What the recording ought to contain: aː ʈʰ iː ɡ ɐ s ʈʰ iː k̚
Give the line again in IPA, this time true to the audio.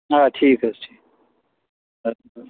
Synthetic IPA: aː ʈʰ iː k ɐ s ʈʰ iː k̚